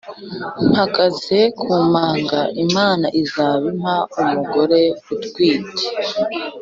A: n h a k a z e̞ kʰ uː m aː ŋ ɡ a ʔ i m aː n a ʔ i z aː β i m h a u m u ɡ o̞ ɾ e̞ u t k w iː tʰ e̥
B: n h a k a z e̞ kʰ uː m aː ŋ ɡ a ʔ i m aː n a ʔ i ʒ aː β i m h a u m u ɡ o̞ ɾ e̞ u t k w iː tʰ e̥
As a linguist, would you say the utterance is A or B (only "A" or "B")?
A